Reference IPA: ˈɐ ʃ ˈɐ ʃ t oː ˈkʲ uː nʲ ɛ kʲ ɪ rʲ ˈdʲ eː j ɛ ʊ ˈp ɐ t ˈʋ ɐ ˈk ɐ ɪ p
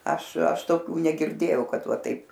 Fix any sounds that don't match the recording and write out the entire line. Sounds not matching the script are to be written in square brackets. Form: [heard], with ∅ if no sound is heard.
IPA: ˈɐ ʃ ˈɐ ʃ t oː ˈkʲ uː nʲ ɛ [ɡʲ] ɪ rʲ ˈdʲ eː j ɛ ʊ [ˈk] ɐ t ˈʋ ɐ [ˈt] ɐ ɪ p